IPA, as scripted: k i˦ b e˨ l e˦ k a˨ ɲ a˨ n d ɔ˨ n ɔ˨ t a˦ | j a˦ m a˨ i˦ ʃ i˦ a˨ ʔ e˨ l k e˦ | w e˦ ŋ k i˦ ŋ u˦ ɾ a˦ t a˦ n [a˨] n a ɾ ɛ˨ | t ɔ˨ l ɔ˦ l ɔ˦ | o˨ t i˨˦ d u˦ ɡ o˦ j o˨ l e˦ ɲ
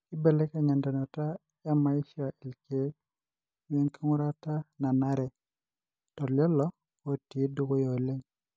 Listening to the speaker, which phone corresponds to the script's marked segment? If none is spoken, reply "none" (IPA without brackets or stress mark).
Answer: a˨